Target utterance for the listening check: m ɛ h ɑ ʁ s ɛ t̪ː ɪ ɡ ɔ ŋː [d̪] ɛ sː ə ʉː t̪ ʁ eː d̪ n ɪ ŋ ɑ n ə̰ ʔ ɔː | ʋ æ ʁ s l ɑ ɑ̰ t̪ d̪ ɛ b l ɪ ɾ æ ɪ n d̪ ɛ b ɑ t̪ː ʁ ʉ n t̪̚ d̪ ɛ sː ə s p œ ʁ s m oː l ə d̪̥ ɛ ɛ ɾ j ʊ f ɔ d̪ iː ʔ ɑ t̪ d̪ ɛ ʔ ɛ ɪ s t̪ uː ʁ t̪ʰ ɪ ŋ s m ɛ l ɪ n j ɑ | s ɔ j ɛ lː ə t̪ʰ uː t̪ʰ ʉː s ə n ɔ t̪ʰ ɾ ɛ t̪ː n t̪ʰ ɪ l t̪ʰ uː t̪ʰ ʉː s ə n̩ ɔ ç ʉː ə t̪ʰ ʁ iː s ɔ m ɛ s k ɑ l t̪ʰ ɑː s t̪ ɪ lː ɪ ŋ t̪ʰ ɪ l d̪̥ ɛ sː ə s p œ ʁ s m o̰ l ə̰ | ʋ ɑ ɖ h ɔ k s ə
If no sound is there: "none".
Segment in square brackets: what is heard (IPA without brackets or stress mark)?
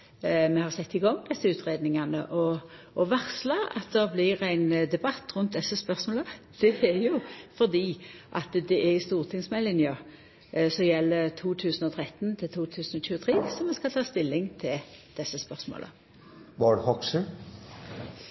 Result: d̪